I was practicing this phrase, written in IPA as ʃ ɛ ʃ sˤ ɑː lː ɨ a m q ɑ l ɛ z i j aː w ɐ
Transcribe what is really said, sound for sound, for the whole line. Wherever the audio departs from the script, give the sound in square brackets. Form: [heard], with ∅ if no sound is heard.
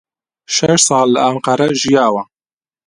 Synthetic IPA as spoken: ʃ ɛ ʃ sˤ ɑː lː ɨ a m q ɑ [ɾ] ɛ [ʒ] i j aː w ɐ